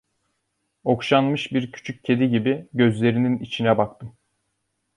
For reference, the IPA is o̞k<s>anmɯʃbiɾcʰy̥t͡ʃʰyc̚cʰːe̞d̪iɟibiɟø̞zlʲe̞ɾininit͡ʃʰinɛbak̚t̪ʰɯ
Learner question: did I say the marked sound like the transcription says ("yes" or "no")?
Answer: no